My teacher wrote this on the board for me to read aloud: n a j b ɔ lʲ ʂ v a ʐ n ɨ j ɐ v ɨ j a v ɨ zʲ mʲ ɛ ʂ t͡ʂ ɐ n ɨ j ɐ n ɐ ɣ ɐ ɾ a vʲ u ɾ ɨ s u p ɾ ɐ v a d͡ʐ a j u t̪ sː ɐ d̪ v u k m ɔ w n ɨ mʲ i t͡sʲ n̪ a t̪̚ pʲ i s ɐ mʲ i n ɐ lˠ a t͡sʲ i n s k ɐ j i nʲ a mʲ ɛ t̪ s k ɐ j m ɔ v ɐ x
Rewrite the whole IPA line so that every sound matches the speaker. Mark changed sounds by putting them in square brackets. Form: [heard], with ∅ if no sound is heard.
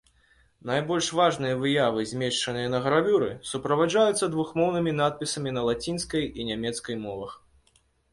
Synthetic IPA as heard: n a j b ɔ lʲ ʂ v a ʐ n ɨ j ɐ v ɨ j a v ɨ zʲ mʲ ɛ ʂ t͡ʂ ɐ n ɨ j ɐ n ɐ ɣ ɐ ɾ a vʲ u ɾ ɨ s u p ɾ ɐ v a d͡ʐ a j u t̪ sː ɐ d̪ v u [x] m ɔ w n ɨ mʲ i [∅] n̪ a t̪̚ pʲ i s ɐ mʲ i n ɐ lˠ a t͡sʲ i n s k ɐ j i nʲ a mʲ ɛ t̪ s k ɐ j m ɔ v ɐ x